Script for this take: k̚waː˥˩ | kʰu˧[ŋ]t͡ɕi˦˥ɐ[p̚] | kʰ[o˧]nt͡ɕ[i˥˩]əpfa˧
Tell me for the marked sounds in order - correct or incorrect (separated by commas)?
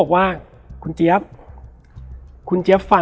incorrect, correct, incorrect, incorrect